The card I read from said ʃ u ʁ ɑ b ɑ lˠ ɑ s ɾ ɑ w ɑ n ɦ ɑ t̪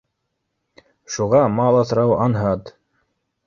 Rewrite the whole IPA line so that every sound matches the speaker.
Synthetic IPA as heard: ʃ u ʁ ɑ m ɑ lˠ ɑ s ɾ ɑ w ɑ n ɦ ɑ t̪